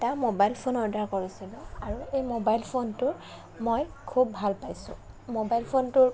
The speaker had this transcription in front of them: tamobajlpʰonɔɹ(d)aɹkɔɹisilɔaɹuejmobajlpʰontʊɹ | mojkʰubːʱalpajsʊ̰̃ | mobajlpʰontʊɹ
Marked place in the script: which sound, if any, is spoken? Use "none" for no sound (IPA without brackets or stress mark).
d